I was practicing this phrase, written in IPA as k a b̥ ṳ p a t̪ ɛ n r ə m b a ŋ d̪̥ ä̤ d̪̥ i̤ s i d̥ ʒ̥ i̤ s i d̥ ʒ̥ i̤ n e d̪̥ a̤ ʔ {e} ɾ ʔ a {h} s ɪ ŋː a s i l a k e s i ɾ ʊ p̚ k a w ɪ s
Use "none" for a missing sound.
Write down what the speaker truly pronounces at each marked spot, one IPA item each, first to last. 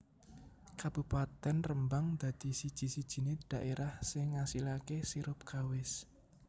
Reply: e, h

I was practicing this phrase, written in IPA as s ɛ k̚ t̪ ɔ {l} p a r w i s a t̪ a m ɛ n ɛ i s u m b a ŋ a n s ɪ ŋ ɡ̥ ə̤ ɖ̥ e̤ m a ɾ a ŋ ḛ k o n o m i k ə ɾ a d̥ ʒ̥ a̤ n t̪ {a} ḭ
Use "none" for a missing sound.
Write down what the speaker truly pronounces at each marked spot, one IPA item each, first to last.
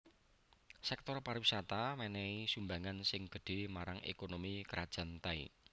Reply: r, a

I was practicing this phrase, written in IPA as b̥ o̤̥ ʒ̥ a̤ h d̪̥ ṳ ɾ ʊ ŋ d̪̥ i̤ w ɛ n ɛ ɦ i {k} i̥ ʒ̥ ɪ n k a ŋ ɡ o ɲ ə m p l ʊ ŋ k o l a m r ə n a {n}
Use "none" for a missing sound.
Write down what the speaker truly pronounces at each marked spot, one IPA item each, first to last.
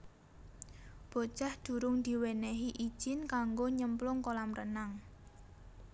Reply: ʔ, ŋ

